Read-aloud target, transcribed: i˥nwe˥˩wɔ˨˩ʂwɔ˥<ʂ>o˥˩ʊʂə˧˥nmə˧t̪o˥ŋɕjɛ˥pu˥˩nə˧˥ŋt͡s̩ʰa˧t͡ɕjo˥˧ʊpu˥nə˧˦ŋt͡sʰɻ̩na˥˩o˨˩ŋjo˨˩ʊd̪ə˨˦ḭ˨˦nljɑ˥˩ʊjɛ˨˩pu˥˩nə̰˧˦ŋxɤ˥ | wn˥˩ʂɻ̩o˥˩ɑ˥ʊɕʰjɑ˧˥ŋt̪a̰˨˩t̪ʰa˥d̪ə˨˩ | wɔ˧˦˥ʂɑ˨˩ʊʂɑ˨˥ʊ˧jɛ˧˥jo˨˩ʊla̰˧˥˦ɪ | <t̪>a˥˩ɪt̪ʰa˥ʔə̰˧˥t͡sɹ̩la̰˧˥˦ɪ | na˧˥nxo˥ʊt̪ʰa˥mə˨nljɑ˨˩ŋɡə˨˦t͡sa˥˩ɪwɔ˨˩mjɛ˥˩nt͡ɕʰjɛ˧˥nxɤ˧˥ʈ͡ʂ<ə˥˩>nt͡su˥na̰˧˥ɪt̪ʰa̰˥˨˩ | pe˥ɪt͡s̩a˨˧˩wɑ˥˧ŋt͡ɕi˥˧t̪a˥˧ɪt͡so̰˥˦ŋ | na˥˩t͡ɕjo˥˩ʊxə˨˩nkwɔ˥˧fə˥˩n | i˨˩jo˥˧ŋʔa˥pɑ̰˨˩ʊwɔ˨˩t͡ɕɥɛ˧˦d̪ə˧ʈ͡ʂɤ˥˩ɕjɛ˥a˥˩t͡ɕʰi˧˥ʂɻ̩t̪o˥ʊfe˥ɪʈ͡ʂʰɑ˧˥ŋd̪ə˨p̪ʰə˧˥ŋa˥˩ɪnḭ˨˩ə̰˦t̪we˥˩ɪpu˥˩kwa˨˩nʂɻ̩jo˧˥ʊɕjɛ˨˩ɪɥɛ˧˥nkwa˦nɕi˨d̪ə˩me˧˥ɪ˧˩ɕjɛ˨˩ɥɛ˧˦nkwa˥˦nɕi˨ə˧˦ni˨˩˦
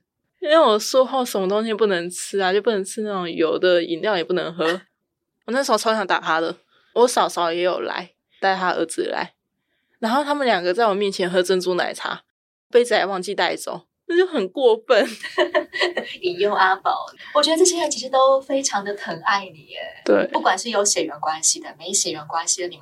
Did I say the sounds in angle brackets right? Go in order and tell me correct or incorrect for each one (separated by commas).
incorrect, correct, incorrect